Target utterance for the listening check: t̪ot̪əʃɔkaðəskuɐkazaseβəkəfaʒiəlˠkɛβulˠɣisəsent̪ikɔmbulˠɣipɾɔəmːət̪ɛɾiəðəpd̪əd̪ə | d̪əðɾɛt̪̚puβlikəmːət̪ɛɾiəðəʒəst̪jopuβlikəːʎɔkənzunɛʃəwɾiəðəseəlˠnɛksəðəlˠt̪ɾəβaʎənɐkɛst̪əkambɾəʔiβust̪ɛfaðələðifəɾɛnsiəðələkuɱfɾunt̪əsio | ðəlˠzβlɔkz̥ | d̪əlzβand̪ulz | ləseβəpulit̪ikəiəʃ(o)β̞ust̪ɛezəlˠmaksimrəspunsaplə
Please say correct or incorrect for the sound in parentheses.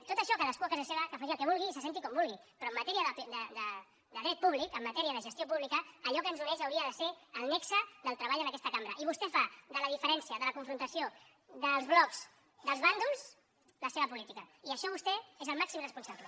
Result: incorrect: ɔ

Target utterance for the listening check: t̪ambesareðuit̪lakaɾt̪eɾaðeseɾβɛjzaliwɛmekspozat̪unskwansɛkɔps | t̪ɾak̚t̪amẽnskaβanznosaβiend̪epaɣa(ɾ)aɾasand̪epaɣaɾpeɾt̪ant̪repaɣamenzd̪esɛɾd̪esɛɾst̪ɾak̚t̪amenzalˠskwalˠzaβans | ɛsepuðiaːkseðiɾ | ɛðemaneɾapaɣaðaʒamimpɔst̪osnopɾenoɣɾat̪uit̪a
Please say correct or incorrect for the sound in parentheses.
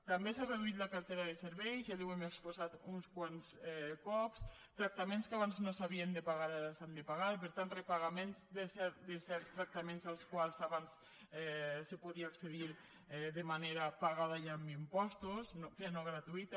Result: correct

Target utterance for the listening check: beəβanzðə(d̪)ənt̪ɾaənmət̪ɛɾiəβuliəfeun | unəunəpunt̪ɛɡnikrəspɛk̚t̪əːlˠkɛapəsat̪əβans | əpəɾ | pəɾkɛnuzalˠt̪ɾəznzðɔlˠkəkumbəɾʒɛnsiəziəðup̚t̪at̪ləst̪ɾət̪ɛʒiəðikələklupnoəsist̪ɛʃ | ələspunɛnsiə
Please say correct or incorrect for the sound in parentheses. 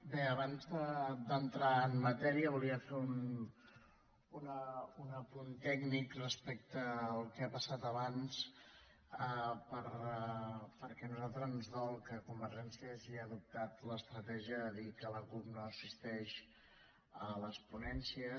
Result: correct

